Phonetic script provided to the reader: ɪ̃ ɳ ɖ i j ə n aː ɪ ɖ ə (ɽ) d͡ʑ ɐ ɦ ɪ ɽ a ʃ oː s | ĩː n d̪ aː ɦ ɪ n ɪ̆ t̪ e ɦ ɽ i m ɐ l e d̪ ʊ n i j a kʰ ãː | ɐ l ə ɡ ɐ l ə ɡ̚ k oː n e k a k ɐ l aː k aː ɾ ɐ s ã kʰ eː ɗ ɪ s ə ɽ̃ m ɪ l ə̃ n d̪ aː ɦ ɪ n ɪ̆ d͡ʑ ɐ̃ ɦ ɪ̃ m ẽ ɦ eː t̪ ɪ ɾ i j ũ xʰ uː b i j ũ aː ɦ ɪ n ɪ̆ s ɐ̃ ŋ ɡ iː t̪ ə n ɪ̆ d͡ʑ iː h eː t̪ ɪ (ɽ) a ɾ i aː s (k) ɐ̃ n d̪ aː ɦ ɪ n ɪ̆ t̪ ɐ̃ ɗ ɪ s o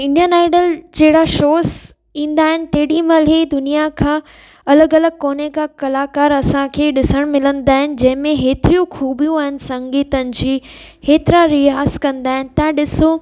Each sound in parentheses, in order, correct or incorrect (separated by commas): incorrect, incorrect, correct